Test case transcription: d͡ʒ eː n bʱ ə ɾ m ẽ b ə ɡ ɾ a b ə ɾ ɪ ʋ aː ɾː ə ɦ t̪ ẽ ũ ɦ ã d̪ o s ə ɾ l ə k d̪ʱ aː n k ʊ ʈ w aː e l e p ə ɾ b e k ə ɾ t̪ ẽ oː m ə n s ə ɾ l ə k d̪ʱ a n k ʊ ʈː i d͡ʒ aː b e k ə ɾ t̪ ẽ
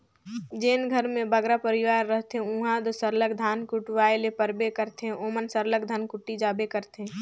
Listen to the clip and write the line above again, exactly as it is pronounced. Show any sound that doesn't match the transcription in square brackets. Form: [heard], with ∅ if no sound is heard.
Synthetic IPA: d͡ʒ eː n [ɡʱ] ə ɾ m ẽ b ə ɡ ɾ a [p] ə ɾ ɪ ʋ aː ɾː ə ɦ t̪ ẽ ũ ɦ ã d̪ o s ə ɾ l ə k d̪ʱ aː n k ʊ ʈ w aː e l e p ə ɾ b e k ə ɾ t̪ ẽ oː m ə n s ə ɾ l ə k d̪ʱ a n k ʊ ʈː i d͡ʒ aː b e k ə ɾ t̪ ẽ